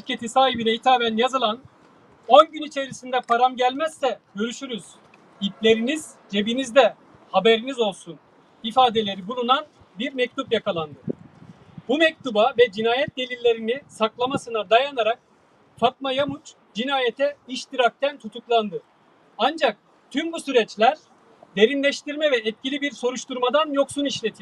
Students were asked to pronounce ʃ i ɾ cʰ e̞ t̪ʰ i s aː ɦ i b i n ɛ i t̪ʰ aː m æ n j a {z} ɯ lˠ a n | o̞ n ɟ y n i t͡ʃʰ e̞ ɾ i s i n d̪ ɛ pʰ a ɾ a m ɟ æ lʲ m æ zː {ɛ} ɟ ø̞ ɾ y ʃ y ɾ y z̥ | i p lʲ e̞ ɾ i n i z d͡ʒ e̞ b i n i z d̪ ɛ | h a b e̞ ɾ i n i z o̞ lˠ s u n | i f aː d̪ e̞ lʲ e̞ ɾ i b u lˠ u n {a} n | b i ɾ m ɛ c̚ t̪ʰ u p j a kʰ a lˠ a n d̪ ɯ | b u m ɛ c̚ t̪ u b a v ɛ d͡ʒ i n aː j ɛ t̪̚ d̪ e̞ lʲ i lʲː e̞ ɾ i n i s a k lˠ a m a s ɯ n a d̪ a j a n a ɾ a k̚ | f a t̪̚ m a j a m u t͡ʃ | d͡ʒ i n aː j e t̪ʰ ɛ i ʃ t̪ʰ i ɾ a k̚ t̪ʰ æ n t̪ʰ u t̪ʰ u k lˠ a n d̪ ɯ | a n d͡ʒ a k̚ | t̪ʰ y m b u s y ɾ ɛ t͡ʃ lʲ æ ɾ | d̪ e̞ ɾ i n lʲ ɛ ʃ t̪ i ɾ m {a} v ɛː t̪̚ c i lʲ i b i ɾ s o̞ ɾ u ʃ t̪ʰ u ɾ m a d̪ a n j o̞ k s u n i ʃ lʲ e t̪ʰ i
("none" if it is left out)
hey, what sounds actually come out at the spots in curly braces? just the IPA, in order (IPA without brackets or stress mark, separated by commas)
z, ɛ, a, ɛ